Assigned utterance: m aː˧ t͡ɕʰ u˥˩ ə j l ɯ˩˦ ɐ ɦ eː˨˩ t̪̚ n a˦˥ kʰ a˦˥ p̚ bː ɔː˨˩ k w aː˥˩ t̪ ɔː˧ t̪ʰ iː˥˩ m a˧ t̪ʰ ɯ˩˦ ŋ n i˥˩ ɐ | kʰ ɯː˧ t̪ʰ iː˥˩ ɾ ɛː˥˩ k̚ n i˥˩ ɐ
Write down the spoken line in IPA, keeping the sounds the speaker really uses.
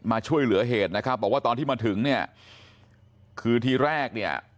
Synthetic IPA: m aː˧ t͡ɕʰ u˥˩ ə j l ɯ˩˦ ɐ ɦ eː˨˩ t̪̚ n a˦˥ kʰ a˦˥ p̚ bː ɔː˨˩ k w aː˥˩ t̪ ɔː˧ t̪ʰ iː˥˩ m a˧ t̪ʰ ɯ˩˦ ŋ n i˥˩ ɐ | kʰ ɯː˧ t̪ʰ iː˧ ɾ ɛː˥˩ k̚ n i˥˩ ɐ